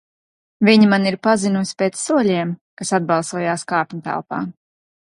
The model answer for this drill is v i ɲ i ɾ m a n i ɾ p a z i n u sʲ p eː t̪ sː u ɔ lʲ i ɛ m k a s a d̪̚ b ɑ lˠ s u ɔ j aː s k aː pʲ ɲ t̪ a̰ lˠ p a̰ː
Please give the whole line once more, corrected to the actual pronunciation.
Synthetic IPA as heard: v i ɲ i m a n i ɾ p a z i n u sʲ p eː t̪ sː u ɔ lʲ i ɛ m k a s a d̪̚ b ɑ lˠ s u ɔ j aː s k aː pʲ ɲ t̪ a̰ lˠ p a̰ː